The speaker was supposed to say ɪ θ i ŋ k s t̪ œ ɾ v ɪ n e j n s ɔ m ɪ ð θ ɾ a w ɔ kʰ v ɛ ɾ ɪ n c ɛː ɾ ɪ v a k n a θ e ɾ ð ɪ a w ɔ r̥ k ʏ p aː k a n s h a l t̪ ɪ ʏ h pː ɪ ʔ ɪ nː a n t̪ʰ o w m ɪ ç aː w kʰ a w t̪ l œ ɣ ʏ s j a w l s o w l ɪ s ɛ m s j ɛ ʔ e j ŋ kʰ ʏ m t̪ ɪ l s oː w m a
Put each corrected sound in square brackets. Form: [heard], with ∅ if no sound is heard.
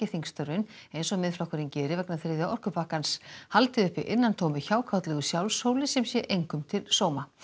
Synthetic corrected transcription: ɪ θ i ŋ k s t̪ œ ɾ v ɪ n e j n s ɔ m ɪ ð [f] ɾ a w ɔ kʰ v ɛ ɾ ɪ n c ɛː ɾ ɪ v [ɛ] k n a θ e ɾ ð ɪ a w ɔ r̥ k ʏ p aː k a n s h a l t̪ ɪ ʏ h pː ɪ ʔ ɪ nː a n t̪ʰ o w m ɪ ç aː w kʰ a w t̪ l [ɛ] ɣ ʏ s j a w l s o w l ɪ s ɛ m s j ɛ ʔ e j ŋ [k] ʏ m [t̪ʰ] ɪ l s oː w m a